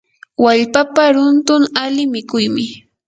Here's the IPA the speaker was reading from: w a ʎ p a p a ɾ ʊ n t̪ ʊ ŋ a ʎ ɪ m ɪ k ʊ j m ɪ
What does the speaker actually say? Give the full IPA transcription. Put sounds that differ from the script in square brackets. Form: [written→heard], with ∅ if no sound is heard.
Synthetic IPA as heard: w a ʎ p a p a ɾ ʊ n t̪ ʊ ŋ a [ʎ→l] ɪ m ɪ k ʊ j m ɪ